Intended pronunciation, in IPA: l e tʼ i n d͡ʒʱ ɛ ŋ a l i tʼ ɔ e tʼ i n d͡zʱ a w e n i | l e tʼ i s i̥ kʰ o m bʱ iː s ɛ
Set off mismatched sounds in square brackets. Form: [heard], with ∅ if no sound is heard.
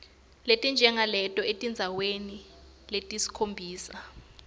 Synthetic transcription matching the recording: l e tʼ i n d͡ʒʱ ɛ ŋ a l [ɛ] tʼ ɔ e tʼ i n d͡zʱ a w e n i | l e tʼ i s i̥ kʰ o m bʱ iː s [a]